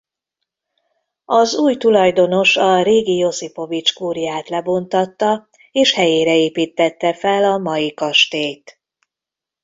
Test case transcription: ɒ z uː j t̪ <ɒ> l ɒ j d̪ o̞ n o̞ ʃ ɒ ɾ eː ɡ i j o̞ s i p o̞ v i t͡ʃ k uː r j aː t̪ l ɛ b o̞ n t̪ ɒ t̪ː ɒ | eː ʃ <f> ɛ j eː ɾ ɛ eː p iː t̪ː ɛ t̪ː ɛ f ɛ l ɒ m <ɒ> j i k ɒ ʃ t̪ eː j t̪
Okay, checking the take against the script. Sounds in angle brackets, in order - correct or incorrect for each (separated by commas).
incorrect, incorrect, correct